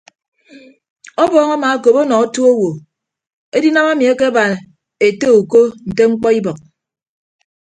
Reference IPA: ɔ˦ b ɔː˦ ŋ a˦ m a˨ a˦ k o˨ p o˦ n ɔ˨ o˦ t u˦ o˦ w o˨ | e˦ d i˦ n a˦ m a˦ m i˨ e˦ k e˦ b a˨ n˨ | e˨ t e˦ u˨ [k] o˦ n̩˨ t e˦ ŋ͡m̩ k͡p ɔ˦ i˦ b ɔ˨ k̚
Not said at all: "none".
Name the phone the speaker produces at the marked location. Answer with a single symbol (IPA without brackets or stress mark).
k